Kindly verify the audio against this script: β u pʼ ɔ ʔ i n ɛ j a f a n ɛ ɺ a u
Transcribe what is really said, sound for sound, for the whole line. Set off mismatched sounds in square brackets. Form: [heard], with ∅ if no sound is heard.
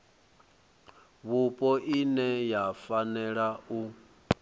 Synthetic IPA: β u pʼ ɔ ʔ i n ɛ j a f a n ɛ ɺ a u